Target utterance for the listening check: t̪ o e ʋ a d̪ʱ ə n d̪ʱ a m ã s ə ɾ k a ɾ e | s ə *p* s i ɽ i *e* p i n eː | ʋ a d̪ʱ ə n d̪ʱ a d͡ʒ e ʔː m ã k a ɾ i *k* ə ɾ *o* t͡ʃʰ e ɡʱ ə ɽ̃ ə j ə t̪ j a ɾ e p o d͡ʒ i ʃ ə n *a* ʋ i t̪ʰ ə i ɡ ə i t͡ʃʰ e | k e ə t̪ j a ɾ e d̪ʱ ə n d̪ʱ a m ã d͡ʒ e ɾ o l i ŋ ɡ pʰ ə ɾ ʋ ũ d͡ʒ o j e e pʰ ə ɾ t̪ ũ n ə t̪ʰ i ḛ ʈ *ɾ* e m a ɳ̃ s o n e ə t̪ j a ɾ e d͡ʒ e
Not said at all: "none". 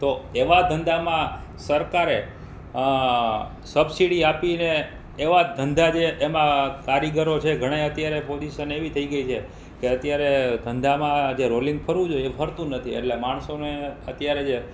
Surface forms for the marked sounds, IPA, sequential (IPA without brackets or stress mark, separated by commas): b, a, ɡ, o, e, l